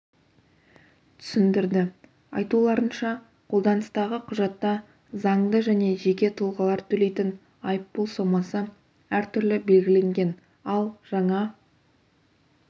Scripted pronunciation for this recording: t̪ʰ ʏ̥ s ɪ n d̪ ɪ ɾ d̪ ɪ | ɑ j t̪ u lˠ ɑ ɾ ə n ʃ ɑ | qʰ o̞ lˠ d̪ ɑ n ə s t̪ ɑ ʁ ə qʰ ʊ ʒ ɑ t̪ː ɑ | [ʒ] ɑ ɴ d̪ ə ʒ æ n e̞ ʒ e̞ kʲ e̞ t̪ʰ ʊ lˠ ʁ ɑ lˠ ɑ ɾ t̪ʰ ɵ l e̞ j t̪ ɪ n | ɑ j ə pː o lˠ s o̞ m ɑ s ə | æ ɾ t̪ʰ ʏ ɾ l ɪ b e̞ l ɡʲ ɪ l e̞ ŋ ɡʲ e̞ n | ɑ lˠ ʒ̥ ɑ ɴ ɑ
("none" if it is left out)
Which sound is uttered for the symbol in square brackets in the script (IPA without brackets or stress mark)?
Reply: z